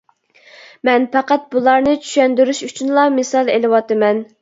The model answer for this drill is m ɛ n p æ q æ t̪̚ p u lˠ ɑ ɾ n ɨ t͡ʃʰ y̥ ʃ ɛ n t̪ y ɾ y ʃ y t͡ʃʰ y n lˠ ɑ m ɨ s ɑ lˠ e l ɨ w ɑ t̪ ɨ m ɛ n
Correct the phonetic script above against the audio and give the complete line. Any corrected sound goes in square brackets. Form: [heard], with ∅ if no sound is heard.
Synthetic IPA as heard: m ɛ n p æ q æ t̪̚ [b] u lˠ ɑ ɾ n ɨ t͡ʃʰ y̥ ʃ ɛ n [d̪] y ɾ y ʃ y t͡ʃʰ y n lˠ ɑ m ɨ s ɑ lˠ e l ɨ w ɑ t̪ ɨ m ɛ n